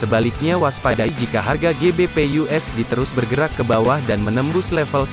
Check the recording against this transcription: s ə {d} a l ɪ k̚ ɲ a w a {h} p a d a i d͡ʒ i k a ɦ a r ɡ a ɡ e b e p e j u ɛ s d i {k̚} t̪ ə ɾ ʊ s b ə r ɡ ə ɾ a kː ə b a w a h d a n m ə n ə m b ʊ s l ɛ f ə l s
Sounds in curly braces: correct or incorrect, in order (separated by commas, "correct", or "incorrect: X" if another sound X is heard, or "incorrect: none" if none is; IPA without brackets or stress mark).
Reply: incorrect: b, incorrect: s, incorrect: none